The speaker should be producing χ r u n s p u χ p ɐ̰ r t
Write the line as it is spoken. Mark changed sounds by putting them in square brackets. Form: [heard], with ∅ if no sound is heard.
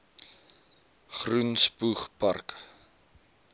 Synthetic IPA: χ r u n s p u χ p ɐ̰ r [k]